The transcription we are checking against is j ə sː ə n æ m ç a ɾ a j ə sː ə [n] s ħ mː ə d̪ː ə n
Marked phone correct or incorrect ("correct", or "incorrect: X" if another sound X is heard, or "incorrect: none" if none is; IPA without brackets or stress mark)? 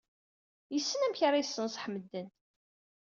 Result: correct